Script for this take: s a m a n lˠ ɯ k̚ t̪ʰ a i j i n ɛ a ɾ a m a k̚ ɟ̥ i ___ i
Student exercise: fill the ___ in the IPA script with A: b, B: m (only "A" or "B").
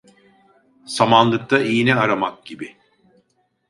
A